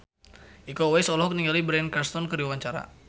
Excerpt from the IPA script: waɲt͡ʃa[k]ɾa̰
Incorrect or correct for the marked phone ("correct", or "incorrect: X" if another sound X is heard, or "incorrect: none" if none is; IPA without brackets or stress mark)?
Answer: incorrect: none